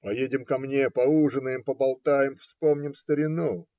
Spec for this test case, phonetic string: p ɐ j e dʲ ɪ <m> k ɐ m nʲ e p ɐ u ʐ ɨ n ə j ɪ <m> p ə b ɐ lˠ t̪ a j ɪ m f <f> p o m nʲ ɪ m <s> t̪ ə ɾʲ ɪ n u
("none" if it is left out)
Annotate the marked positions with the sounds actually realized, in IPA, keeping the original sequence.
m, m, s, s

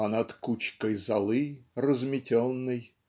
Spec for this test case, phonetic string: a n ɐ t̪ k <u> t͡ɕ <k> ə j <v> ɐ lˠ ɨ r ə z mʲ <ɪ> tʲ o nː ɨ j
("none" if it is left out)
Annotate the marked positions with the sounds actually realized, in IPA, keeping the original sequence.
u, k, z, ɪ

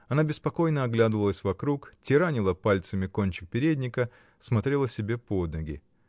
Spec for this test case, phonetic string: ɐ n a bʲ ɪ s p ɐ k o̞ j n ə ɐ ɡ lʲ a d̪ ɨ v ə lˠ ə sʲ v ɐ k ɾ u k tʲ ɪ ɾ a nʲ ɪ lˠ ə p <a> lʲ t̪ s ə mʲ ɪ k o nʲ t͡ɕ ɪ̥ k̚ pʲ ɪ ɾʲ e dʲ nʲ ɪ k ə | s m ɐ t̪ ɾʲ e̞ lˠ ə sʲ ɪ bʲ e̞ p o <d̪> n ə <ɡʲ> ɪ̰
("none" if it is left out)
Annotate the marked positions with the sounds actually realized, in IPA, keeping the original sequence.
a, d̪, ɡʲ

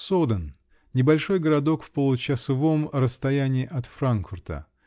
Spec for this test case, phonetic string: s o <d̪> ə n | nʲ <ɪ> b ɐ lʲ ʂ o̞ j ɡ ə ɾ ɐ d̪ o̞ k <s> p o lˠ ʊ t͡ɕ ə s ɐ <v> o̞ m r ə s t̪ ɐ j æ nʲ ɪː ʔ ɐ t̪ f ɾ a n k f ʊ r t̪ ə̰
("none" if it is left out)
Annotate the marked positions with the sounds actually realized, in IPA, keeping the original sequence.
d̪, ɪ, f, v

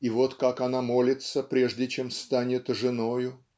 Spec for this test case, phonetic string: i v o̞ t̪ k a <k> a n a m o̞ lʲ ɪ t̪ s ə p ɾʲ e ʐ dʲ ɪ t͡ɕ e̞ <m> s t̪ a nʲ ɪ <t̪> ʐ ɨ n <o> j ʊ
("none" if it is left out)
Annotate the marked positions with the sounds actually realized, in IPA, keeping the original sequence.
k, m, t̪, o

